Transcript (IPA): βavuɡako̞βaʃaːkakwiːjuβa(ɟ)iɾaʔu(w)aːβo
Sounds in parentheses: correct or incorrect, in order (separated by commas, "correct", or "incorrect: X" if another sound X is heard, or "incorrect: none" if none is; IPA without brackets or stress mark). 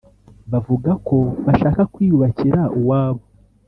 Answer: incorrect: c, correct